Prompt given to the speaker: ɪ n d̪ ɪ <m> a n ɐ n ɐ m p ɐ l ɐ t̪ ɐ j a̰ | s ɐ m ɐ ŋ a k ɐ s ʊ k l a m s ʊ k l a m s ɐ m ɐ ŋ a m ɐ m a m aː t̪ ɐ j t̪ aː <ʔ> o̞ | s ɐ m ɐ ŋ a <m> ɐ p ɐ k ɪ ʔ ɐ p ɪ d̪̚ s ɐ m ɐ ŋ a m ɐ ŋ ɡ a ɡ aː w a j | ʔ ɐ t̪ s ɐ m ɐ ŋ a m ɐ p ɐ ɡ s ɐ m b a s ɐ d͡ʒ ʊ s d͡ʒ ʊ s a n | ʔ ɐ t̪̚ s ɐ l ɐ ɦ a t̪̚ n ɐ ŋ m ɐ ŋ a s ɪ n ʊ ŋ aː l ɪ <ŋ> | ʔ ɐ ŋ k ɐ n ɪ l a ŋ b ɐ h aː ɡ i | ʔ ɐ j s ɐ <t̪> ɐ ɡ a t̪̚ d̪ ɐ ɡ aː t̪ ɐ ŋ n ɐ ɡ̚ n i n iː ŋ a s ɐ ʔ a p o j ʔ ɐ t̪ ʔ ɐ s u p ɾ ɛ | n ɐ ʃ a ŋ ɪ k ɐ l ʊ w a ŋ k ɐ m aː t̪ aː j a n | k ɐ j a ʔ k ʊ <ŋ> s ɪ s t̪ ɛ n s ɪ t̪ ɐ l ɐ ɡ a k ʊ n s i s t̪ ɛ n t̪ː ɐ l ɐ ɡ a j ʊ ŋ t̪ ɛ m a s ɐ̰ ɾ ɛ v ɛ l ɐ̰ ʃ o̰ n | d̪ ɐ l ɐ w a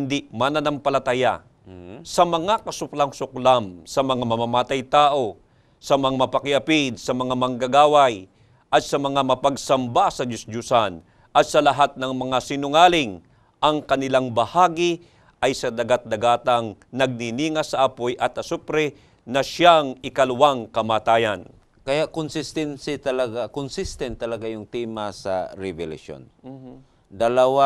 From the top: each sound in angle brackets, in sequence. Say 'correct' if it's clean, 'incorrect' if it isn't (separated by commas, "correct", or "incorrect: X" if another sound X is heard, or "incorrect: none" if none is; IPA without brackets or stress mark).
correct, correct, correct, correct, incorrect: d̪, incorrect: n